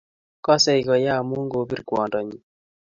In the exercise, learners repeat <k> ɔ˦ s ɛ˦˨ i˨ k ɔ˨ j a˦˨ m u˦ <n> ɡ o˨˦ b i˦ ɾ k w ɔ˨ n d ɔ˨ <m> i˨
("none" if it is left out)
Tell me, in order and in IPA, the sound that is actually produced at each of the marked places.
k, ŋ, ɲ

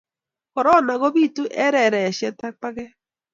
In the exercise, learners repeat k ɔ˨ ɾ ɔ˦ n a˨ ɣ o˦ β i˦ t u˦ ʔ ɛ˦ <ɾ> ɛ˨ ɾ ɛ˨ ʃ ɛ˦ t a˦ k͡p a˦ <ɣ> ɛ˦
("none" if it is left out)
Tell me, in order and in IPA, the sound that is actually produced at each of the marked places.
ɾ, ɣ

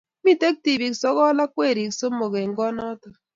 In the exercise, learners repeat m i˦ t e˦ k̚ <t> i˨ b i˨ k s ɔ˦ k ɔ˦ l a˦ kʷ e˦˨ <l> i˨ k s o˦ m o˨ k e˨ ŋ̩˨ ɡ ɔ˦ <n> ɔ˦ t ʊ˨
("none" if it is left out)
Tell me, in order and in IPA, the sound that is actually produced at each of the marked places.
t, ɾ, n

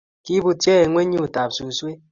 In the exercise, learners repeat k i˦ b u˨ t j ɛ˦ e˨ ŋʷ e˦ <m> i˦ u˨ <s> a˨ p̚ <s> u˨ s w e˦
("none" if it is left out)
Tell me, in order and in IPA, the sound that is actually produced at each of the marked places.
ɲ, t, s

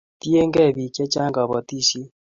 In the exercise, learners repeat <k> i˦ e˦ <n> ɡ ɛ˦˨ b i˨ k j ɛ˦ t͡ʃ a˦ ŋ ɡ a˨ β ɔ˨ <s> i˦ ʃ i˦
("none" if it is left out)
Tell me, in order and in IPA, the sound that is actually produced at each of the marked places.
t, ŋ, t

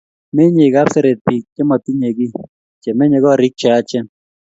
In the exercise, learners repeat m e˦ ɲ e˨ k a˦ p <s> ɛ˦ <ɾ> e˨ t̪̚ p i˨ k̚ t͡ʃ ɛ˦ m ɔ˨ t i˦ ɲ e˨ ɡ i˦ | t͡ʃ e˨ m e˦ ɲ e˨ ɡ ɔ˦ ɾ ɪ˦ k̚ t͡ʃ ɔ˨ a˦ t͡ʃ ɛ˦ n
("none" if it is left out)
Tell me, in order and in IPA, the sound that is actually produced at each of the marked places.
s, ɾ

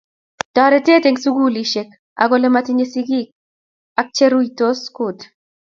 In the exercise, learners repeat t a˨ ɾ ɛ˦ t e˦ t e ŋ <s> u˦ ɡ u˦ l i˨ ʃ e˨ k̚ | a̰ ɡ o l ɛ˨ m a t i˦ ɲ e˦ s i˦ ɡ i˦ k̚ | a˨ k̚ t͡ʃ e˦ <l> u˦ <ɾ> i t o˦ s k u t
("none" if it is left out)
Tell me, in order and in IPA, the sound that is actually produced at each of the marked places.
s, ɾ, none

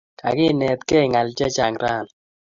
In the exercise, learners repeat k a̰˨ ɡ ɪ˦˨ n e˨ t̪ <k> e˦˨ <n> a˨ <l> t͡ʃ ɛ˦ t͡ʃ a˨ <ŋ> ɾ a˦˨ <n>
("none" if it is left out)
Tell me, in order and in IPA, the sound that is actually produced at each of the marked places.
k, ŋ, l, ŋ, n

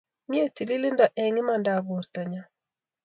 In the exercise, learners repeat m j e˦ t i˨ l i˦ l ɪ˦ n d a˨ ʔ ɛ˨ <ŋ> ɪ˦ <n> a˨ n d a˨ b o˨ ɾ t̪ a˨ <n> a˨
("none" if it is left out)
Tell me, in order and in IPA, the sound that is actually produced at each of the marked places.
ŋ, m, ɲ

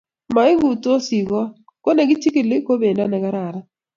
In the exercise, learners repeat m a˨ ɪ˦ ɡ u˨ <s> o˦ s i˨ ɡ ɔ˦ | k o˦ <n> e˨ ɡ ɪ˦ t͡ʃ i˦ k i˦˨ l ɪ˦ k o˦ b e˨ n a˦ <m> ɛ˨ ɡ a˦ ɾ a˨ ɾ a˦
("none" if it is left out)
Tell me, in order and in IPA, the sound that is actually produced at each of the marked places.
t, n, n

